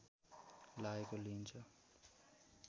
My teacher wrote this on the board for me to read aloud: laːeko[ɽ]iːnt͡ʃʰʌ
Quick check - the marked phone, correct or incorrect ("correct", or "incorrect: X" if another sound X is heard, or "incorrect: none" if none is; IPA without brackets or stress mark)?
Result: incorrect: l